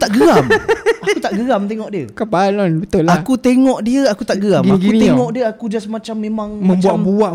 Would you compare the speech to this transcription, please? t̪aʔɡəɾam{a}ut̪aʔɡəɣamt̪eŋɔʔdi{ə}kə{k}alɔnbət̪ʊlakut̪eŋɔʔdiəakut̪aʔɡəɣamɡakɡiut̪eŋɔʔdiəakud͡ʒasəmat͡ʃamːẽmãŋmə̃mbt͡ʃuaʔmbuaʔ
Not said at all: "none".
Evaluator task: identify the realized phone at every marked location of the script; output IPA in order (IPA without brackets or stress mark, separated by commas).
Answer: a, ə, p